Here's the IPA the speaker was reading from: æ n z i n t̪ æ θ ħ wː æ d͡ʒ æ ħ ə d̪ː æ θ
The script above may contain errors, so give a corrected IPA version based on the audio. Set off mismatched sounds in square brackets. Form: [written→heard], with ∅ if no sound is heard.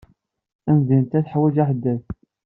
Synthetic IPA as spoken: æ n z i n t̪ æ θ ħ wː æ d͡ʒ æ ħ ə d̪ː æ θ